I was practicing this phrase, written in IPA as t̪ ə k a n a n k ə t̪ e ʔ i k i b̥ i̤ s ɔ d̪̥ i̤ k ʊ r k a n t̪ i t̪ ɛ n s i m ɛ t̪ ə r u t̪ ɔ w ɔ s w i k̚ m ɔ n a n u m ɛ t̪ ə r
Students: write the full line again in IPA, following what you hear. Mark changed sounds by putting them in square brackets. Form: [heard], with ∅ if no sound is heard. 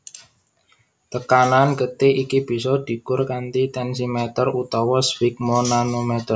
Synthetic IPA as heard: t̪ ə k a n a n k ə t̪ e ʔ i k i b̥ i̤ s ɔ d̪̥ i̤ k ʊ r k a n t̪ i t̪ ɛ n s i m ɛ t̪ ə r u t̪ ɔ w ɔ s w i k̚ m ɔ n a n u m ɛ t̪ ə r